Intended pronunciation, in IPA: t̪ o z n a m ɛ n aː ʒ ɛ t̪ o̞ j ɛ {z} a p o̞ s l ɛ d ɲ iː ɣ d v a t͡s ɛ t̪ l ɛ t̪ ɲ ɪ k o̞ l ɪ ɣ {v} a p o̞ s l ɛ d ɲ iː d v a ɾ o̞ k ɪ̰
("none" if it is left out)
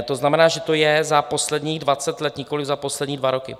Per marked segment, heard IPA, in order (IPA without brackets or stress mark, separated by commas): z, z